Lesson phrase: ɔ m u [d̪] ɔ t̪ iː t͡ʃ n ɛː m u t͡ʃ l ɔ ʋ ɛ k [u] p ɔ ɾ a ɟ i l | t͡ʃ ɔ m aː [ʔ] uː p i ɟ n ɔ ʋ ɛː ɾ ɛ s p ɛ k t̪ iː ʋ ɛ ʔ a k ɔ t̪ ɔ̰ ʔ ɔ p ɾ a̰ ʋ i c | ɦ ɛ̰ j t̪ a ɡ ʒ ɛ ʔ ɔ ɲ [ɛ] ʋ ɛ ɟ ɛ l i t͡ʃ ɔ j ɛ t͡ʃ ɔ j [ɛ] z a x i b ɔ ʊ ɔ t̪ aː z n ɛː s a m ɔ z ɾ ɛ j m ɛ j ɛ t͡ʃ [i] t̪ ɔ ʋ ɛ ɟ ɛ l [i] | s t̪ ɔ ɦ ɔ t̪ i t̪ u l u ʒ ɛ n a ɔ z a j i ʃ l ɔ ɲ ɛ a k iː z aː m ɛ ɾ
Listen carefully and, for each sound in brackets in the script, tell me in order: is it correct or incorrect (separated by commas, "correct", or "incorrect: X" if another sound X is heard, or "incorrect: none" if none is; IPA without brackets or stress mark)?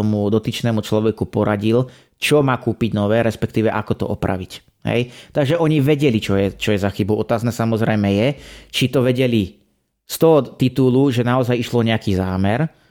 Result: correct, correct, incorrect: k, incorrect: i, correct, correct, correct